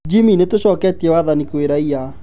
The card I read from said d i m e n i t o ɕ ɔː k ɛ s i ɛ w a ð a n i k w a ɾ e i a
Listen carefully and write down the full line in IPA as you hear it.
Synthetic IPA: d͡ʒ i m i n e t o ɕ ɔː k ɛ t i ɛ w a ð a n i k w e ɾ a i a